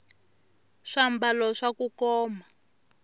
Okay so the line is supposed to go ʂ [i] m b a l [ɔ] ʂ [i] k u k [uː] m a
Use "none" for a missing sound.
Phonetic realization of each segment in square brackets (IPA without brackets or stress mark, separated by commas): a, ɔ, a, ɔː